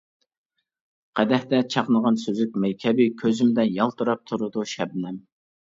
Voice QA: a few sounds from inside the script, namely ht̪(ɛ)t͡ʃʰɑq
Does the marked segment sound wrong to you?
no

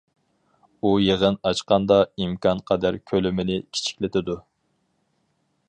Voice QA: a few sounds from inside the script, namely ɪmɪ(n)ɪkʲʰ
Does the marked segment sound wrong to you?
no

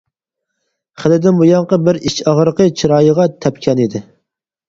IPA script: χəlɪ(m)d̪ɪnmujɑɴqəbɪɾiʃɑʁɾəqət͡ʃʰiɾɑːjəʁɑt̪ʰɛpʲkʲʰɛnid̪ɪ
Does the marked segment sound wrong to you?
yes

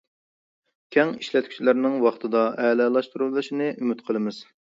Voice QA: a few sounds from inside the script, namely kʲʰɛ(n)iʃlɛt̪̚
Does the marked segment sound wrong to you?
yes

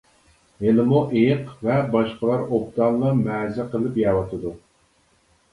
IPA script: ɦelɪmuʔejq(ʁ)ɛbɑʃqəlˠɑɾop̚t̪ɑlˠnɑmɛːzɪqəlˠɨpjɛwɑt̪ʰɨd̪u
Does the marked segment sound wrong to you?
yes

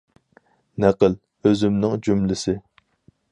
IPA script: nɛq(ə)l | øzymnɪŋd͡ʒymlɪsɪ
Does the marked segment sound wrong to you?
no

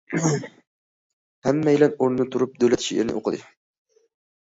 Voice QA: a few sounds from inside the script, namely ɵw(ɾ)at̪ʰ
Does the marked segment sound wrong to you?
yes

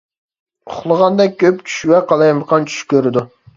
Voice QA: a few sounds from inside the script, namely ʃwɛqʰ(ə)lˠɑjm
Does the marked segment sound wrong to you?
yes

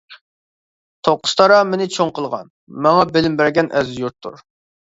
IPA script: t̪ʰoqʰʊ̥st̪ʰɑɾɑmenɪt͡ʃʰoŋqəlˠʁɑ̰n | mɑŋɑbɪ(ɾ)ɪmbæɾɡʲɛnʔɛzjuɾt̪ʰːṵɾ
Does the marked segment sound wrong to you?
yes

